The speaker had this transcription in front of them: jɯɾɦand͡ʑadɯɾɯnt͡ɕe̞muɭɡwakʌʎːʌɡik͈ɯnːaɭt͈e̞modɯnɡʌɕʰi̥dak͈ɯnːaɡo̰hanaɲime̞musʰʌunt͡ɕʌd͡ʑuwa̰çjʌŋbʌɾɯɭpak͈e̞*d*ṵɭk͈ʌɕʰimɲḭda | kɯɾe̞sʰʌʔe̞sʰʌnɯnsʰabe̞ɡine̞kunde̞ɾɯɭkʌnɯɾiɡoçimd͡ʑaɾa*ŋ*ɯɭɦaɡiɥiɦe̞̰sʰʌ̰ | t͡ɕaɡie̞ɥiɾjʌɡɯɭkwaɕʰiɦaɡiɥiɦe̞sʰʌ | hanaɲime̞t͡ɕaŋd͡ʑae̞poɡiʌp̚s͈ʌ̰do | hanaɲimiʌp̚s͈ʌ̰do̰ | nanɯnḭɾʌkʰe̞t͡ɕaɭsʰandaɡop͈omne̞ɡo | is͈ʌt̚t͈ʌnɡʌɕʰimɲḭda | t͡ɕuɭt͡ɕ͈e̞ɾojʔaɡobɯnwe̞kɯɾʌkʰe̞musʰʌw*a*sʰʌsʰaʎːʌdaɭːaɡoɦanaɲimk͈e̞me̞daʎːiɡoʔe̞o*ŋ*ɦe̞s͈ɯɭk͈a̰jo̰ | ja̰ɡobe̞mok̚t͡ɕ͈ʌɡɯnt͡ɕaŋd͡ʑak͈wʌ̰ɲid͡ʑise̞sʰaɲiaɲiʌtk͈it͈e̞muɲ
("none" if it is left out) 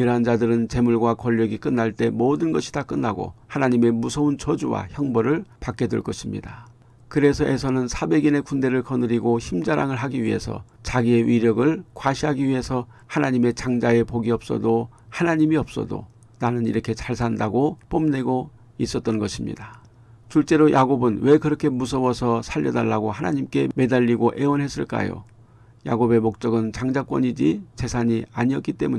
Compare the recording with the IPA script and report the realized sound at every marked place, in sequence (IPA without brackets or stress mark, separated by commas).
d, ŋ, ʌ, n